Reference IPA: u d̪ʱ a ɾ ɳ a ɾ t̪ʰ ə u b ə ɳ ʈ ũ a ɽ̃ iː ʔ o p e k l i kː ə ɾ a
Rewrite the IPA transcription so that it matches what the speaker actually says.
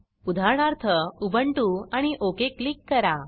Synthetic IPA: u d̪ʱ a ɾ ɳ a ɾ t̪ʰ ə u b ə ɳ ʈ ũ a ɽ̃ i ʔ o k e k l i kː ə ɾ a